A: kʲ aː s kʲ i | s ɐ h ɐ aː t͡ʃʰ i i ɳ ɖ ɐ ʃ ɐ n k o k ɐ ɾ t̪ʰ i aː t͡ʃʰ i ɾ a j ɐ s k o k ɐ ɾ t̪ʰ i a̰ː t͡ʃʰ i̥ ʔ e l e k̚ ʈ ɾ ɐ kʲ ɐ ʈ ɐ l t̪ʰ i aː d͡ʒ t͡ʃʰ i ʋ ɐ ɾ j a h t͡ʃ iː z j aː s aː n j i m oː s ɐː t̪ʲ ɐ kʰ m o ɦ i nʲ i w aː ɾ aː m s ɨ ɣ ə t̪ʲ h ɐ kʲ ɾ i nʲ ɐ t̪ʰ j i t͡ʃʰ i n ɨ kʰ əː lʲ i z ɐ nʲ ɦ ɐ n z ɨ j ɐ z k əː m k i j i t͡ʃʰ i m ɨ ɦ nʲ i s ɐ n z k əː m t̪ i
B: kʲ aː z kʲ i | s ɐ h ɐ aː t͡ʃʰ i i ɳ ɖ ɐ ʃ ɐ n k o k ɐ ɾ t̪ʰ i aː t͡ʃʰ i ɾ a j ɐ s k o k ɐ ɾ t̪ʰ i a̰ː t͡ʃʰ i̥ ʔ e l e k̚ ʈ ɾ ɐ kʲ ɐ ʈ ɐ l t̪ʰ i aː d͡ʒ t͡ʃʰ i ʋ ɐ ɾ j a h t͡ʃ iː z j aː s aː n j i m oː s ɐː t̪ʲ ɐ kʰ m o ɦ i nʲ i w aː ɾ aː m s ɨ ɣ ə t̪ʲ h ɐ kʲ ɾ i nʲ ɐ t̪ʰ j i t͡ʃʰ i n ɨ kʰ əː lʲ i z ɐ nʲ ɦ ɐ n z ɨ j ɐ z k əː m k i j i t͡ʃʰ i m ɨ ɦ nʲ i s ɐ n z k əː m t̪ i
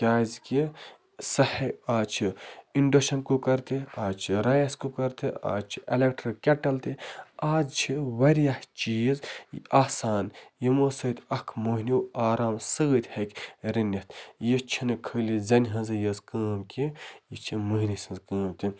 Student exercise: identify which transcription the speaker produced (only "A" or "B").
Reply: B